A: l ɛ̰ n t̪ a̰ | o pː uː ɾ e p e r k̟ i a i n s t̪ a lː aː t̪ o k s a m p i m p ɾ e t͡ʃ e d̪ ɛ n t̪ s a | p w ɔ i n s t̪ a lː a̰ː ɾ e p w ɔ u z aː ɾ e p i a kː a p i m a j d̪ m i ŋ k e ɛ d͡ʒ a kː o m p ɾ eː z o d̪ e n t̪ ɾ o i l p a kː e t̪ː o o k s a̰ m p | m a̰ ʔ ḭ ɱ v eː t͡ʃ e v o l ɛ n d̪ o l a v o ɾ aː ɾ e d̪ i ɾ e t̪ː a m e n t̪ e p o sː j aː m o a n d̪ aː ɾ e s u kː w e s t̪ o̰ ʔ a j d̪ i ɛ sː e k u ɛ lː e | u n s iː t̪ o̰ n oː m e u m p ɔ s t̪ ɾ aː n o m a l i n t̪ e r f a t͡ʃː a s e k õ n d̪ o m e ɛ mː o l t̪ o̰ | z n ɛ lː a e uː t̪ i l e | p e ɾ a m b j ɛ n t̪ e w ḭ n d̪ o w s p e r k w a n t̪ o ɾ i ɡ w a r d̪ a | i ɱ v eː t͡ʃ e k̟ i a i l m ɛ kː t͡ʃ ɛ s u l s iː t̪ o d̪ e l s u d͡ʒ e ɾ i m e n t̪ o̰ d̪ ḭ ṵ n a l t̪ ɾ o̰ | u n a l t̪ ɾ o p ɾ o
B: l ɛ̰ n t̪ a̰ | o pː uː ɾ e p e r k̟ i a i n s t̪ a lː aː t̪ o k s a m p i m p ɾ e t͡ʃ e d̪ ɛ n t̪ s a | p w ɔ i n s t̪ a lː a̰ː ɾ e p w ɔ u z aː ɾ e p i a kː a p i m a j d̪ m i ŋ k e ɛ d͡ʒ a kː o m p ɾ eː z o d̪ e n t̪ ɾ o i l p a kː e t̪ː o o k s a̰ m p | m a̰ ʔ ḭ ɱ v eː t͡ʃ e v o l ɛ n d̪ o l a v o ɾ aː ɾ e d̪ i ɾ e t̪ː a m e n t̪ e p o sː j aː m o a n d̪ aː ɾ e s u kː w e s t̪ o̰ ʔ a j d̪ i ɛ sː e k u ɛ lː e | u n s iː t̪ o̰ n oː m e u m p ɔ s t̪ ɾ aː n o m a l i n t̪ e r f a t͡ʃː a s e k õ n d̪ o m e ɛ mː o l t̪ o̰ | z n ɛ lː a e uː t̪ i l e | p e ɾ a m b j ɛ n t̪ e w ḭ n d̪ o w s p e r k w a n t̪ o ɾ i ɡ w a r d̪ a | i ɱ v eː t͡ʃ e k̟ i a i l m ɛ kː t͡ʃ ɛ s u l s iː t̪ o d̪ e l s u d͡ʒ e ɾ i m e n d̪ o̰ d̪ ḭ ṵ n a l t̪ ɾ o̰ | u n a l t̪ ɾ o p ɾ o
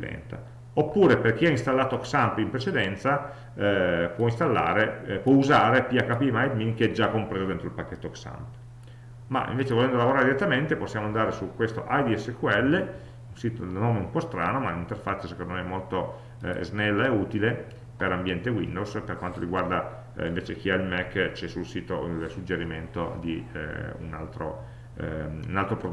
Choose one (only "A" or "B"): A